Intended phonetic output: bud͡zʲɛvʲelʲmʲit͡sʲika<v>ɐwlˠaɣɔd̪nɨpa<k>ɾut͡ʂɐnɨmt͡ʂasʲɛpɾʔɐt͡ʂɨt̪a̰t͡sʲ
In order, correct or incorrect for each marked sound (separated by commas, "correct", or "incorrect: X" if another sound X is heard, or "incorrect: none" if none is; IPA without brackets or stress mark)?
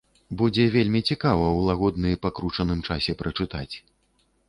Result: correct, correct